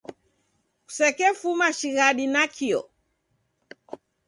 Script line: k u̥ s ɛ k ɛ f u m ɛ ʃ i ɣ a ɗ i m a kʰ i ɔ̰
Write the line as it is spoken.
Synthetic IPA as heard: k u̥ s ɛ k ɛ f u m a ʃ i ɣ a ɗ i n a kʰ i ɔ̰

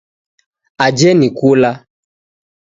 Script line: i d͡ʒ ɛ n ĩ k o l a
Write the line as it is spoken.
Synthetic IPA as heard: a d͡ʒ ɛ n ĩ k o l a

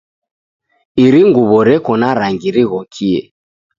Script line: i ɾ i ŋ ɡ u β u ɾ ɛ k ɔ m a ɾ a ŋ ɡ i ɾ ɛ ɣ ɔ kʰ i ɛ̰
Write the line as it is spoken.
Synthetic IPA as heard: i ɾ i ŋ ɡ u β ɔ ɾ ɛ k ɔ n a ɾ a ŋ ɡ i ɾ i ɣ ɔ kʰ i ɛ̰

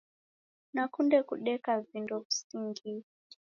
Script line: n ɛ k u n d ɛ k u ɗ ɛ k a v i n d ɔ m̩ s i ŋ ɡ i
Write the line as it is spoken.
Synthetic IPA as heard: n a k u n d ɛ k u ɗ ɛ k a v i n d ɔ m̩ s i ŋ ɡ i

